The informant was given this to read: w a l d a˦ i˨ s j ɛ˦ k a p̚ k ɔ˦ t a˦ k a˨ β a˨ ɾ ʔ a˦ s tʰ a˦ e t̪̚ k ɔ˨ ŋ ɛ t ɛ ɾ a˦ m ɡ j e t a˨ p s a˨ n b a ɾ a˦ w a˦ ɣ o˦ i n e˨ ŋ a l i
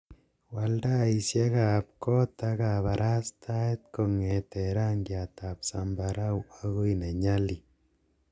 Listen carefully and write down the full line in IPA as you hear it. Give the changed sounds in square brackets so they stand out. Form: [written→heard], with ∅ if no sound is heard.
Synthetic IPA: w a l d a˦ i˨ s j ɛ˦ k a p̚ k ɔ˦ t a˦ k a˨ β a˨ ɾ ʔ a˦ s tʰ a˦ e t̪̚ k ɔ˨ ŋ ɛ t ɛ ɾ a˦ [m→ŋ] ɡ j [e→a] t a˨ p s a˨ [n→m] b a ɾ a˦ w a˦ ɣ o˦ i n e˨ [ŋ→ɲ] a l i